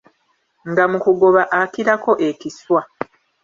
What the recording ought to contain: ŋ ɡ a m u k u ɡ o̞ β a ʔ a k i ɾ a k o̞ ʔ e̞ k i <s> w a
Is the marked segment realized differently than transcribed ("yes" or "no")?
no